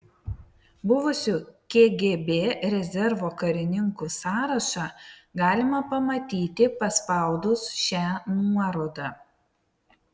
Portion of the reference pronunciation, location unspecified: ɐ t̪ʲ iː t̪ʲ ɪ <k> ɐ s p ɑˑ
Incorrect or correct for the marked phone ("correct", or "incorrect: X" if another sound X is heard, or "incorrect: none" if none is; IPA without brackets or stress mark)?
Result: incorrect: p